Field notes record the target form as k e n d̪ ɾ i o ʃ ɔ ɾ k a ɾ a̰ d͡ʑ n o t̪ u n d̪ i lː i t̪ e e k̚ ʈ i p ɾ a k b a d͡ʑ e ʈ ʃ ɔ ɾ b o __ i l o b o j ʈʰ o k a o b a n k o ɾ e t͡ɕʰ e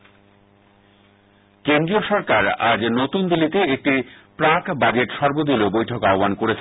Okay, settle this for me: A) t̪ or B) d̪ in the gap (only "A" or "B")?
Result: B